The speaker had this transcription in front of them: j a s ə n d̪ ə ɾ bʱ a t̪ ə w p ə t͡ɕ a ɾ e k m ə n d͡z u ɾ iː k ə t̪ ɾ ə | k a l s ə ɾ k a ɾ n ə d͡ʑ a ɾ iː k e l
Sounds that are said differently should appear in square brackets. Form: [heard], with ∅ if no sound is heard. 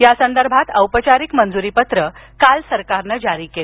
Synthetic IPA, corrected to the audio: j a s ə n d̪ ə ɾ bʱ a t̪ ə w p ə t͡ɕ a ɾ [i] k m ə n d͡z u ɾ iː [p] ə t̪ ɾ ə | k a l s ə ɾ k a ɾ n ə d͡ʑ a ɾ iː k e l